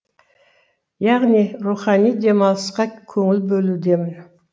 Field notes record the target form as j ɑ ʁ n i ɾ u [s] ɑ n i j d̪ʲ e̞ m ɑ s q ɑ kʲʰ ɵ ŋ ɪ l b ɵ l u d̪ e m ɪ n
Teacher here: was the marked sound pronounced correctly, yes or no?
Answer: no